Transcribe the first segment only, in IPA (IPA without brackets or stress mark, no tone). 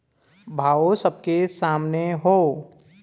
bʱ